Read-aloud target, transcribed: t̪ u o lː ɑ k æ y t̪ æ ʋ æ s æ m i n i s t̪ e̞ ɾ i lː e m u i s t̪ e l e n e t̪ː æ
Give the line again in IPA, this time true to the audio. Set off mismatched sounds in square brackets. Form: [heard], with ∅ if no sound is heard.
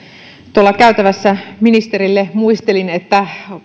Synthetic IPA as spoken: t̪ u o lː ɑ k æ y t̪ æ ʋ æ [sː] æ m i n i s t̪ e̞ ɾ i lː e m u i s t̪ e l [i] n e t̪ː æ